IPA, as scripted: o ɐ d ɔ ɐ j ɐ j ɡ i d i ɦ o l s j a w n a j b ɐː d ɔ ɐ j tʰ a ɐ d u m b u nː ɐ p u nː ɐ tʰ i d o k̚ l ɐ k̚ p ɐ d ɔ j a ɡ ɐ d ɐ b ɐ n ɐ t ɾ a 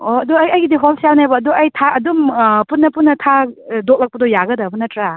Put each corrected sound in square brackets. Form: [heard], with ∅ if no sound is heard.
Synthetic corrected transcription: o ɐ d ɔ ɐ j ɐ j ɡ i d i ɦ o l s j a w n a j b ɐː d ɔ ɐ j tʰ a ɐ d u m [p] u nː ɐ p u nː ɐ tʰ [a] d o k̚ l ɐ k̚ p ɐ d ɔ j a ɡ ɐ d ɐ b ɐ n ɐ t ɾ a